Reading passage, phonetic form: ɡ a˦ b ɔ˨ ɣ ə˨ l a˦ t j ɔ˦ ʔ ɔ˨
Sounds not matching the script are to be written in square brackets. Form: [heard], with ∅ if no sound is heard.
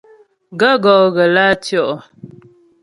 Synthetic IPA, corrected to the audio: ɡ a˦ [ɡ] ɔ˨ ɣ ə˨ l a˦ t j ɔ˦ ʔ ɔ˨